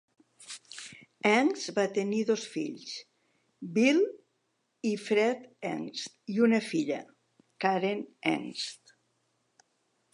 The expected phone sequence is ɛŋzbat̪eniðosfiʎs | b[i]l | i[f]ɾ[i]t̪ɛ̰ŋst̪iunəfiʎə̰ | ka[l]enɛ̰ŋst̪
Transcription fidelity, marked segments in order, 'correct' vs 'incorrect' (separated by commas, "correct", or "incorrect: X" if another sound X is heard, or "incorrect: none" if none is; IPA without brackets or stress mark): correct, correct, incorrect: ɛ, incorrect: ɾ